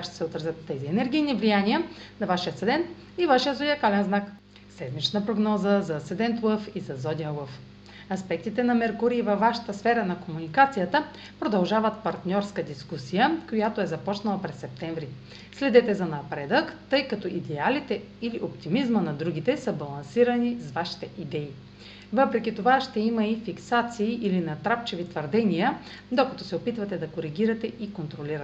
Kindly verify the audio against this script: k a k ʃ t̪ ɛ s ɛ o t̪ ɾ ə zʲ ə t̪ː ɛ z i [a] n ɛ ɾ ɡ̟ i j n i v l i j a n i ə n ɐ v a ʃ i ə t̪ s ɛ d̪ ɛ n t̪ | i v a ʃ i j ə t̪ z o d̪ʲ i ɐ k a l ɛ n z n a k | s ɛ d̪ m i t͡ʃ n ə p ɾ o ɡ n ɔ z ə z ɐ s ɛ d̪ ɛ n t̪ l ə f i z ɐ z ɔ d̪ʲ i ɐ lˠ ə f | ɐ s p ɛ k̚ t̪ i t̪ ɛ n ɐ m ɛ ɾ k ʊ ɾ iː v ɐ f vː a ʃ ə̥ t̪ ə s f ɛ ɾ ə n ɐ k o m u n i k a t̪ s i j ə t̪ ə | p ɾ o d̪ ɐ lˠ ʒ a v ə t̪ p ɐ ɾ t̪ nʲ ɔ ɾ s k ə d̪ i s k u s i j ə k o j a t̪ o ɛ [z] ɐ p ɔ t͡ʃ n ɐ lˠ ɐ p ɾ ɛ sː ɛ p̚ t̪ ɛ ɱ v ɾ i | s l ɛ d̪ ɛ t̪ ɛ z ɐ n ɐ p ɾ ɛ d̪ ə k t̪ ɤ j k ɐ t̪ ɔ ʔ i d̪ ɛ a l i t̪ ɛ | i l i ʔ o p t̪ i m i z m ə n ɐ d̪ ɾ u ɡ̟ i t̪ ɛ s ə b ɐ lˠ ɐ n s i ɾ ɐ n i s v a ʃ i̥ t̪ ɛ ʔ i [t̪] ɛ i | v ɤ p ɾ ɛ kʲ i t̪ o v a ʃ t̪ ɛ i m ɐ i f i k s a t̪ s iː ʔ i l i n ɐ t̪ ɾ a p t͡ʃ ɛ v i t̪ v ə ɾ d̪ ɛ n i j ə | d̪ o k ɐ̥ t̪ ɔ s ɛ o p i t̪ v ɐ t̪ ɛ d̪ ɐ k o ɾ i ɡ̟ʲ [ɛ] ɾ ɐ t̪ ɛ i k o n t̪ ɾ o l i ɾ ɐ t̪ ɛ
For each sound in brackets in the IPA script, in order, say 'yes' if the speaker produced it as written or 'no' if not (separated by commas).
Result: no, yes, no, no